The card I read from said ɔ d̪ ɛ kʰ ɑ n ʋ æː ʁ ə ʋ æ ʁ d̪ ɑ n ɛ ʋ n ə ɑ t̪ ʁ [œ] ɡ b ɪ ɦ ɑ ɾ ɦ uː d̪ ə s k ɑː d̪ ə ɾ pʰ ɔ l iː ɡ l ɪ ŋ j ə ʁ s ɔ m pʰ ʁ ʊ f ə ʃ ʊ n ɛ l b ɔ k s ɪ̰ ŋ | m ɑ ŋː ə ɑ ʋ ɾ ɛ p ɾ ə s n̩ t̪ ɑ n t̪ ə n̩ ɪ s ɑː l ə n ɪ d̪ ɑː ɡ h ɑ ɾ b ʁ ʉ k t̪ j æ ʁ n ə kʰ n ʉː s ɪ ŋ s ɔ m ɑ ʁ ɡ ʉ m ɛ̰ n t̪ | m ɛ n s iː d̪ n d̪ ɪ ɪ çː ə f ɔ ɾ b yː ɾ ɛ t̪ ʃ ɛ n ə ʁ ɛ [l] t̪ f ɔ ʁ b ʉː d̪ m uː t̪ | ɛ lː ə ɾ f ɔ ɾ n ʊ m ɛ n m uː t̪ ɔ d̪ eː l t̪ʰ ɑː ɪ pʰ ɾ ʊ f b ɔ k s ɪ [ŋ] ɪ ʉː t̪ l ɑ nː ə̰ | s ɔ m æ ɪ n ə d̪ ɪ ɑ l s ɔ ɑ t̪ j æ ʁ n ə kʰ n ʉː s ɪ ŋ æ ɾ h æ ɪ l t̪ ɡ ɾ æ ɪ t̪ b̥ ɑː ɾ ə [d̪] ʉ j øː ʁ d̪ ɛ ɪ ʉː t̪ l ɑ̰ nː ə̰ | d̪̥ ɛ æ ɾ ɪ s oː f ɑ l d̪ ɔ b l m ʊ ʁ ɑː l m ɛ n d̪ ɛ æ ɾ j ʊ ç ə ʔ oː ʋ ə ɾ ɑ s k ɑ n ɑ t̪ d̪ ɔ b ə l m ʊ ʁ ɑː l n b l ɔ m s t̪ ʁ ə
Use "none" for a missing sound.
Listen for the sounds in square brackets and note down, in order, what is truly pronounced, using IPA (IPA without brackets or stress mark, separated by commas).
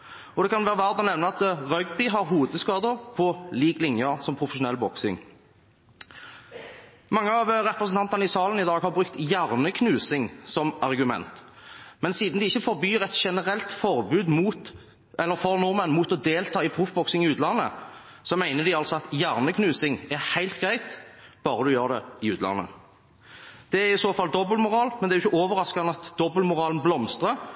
œ, l, ŋ, d̪